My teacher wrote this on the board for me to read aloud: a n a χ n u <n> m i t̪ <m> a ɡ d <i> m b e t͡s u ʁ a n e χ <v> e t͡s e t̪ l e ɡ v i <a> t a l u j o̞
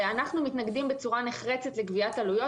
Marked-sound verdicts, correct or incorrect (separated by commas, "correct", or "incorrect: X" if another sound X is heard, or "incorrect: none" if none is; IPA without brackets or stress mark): incorrect: none, incorrect: n, correct, incorrect: ʁ, correct